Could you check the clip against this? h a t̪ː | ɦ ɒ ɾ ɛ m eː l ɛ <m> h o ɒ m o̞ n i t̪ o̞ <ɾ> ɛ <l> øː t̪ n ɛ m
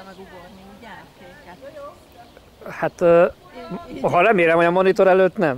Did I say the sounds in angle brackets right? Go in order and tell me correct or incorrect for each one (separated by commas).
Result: correct, correct, correct